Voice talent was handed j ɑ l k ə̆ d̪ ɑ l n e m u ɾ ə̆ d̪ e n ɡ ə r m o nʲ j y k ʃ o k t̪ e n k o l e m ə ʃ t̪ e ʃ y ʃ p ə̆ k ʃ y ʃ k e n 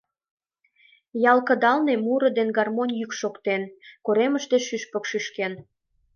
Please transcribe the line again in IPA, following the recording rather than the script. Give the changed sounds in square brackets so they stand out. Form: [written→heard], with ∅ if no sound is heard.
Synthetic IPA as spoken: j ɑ l k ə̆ d̪ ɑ l n e m u ɾ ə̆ d̪ e n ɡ [ə→ɑ] r m o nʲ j y k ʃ o k t̪ e n k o [l→ɾ] e m ə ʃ t̪ e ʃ y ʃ p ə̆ k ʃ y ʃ k e n

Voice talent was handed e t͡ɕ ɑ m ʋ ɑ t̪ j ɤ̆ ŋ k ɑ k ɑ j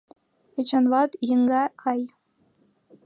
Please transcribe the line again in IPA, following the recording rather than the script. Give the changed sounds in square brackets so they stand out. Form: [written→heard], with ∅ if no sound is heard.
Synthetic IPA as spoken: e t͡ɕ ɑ [m→n] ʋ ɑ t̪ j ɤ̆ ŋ [k→ɡ] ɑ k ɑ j

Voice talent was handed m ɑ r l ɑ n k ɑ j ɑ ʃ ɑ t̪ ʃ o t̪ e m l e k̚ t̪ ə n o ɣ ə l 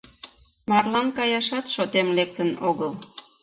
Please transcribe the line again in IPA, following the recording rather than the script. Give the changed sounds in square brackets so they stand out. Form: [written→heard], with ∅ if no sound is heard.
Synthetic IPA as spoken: m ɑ r l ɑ n k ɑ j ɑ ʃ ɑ t̪ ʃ o t̪ e m l e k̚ t̪ ə n o ɣ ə l

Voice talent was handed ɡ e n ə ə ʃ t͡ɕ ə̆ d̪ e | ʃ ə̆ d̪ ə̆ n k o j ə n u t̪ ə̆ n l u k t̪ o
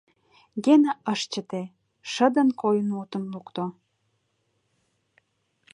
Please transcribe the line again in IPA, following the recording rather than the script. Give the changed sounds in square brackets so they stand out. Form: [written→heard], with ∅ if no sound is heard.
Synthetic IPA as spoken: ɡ e n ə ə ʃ t͡ɕ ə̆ [d̪→t̪] e | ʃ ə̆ d̪ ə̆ n k o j ə n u t̪ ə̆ n l u k t̪ o

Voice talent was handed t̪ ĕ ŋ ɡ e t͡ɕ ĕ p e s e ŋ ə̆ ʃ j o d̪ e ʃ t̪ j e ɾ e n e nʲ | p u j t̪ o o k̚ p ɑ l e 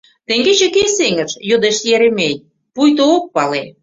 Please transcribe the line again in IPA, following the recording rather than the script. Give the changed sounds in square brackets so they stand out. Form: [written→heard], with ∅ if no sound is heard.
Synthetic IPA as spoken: t̪ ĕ ŋ ɡ e t͡ɕ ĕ [p→k] e s e ŋ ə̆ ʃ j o d̪ e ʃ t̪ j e ɾ e [n→m] e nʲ | p u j t̪ o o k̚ p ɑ l e

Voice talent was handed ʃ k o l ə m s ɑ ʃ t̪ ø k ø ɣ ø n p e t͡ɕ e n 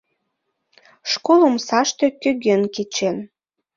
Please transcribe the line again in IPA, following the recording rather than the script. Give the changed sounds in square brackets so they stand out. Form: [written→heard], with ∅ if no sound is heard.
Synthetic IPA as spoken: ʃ k o l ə m s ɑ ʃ t̪ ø k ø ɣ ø n [p→k] e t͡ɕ e n

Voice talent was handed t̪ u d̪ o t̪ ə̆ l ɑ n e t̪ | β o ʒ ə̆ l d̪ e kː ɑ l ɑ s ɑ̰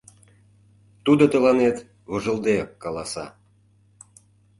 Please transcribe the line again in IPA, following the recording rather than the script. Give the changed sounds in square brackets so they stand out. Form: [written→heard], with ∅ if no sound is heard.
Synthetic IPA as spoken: t̪ u d̪ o t̪ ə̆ l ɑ n e t̪ | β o ʒ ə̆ l d̪ e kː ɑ l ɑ s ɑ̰

